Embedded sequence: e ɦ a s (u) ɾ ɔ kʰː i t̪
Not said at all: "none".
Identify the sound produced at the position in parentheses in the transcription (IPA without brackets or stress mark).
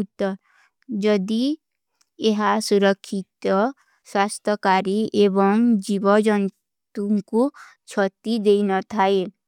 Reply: u